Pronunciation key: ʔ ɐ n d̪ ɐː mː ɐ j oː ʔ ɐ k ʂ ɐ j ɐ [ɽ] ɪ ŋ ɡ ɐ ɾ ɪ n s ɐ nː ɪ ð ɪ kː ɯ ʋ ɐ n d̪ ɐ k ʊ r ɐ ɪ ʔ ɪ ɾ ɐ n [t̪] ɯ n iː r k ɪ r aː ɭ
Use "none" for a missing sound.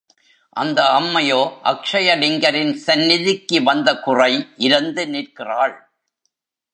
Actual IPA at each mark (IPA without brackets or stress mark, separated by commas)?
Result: ɽ, d̪